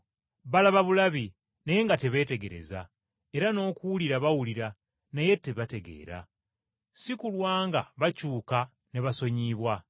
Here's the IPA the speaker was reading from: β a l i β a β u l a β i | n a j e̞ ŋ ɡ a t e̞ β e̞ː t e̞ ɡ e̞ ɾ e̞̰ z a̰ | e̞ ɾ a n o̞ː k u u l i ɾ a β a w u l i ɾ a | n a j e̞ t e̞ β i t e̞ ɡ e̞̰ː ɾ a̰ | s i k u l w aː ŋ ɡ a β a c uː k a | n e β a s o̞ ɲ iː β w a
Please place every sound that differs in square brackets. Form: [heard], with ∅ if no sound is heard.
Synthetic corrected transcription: β a l [a] β a β u l a β i | n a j e̞ ŋ ɡ a t e̞ β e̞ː t e̞ ɡ e̞ ɾ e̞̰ z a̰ | e̞ ɾ a n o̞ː k u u l i ɾ a β a w u l i ɾ a | n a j e̞ t e̞ β [a] t e̞ ɡ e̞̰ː ɾ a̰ | s i k u l w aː ŋ ɡ a β a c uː k a | n e β a s o̞ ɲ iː β w a